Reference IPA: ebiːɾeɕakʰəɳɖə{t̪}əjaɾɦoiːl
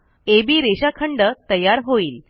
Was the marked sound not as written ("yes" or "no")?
no